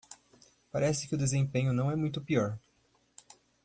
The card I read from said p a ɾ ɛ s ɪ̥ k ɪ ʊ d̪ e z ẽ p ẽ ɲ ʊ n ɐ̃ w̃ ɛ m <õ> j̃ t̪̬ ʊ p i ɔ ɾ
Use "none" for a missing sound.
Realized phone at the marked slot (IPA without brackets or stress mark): ũ